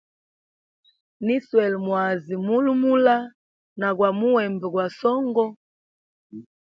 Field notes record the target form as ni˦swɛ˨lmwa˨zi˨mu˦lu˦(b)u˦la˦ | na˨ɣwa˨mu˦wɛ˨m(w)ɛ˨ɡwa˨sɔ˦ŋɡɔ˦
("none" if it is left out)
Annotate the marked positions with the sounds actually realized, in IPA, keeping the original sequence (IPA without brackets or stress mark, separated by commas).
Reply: m, b